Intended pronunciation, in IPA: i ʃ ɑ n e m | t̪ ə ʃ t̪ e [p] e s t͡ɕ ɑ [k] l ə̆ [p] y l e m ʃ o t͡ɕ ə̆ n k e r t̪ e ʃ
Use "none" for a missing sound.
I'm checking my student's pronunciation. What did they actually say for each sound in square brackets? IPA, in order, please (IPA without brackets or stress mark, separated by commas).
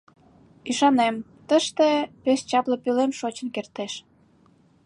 p, p, p